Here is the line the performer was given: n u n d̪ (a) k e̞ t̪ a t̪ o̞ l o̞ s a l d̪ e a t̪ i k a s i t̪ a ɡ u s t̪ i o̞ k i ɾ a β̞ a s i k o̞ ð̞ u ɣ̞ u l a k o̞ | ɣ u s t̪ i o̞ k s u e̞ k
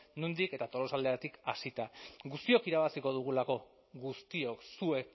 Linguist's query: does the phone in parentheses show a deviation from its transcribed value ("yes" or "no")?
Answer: yes